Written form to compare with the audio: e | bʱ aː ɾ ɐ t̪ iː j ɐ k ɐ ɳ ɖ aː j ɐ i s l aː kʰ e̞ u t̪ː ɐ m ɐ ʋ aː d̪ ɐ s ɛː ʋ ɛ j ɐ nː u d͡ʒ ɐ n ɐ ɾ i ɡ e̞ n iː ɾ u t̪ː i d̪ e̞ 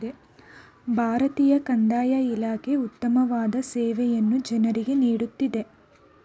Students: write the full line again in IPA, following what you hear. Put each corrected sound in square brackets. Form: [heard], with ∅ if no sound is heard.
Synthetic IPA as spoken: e | bʱ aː ɾ ɐ t̪ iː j ɐ k ɐ ɳ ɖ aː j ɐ i [∅] l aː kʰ e̞ u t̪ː ɐ m ɐ ʋ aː d̪ ɐ s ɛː ʋ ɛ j ɐ nː u d͡ʒ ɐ n ɐ ɾ i ɡ e̞ n iː [ɽ] u t̪ː i d̪ e̞